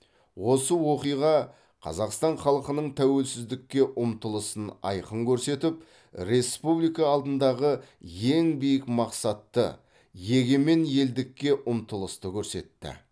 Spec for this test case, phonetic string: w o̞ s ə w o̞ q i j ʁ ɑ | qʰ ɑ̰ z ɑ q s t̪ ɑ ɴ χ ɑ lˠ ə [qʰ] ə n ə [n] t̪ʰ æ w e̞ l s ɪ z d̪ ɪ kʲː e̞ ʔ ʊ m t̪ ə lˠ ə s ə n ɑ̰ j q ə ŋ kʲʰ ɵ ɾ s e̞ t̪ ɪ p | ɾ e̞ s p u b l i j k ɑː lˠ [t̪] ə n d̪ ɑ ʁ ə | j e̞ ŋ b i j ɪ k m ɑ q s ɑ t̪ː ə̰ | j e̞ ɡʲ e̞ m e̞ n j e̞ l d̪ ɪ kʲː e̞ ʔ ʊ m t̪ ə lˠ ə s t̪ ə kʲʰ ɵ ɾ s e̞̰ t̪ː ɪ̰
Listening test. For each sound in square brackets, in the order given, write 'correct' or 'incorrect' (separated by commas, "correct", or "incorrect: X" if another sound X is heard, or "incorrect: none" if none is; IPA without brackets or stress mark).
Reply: incorrect: q, incorrect: ɴ, incorrect: d̪